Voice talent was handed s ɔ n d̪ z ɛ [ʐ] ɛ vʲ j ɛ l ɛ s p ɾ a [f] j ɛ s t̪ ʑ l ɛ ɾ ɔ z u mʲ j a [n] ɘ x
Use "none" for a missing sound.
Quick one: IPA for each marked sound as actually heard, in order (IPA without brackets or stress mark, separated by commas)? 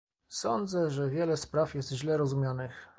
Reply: ʐ, f, n